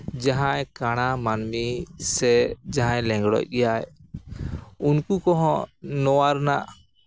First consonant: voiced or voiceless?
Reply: voiced